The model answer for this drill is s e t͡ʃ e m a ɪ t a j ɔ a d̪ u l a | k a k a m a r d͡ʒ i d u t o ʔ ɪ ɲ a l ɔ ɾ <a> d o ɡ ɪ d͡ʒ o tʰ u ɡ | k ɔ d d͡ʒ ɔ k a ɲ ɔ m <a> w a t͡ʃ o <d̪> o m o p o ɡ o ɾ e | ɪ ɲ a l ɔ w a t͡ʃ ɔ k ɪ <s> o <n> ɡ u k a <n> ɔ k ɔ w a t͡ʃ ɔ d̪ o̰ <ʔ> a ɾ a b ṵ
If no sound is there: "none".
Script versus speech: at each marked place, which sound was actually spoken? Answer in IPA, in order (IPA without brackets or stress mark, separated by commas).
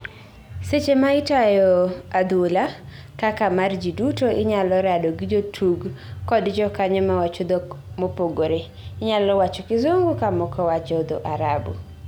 a, a, d̪, z, ŋ, m, ʔ